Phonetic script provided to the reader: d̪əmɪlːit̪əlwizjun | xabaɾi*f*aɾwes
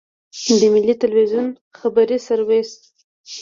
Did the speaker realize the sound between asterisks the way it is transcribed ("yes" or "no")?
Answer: no